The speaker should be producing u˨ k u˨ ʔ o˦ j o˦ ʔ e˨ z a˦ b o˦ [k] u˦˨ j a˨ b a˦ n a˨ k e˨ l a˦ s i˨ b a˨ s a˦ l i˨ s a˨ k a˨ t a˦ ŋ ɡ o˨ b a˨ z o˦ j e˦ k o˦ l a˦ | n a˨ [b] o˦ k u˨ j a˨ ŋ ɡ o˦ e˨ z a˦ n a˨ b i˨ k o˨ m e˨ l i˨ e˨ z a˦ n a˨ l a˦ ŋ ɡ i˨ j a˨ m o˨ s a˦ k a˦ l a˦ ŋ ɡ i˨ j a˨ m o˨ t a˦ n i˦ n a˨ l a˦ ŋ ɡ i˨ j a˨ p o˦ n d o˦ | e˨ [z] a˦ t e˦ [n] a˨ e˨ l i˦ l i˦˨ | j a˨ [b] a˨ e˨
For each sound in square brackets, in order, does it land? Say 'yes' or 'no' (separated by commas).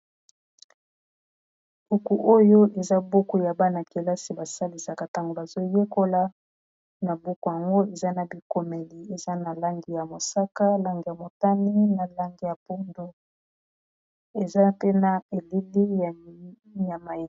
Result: yes, yes, yes, yes, no